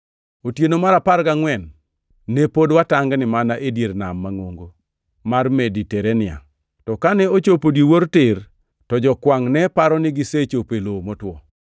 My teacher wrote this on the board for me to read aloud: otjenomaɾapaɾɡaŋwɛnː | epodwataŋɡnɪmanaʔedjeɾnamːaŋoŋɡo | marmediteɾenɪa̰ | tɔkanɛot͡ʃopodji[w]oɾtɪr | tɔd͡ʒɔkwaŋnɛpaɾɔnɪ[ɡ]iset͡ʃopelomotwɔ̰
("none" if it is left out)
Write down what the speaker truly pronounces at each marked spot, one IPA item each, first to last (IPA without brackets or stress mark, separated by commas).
w, ɡ